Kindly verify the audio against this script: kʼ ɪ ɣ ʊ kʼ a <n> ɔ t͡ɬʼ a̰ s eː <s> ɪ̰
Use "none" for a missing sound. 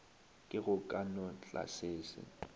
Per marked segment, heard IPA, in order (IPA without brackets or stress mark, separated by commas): n, s